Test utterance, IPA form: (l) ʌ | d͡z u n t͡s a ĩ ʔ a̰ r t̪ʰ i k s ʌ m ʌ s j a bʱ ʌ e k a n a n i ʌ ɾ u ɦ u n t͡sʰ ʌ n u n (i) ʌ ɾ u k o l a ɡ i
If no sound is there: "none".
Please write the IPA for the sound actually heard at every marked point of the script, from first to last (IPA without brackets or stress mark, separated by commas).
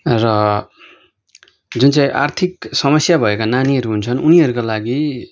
r, i